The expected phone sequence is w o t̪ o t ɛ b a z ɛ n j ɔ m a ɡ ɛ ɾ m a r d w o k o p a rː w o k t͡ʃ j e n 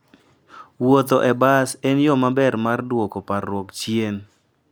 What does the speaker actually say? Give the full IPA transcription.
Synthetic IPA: w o t̪ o ʔ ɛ b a s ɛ n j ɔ m a b ɛ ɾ m a r d w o k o p a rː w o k t͡ʃ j e n